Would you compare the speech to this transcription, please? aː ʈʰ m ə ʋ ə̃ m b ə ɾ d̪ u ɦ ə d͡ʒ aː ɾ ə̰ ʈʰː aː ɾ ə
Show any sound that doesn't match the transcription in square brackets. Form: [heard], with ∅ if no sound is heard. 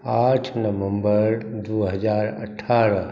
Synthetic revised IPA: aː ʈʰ [n] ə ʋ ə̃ m b ə ɾ d̪ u ɦ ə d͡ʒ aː ɾ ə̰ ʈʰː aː ɾ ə